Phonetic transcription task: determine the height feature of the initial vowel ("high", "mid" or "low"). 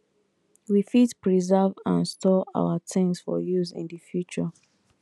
high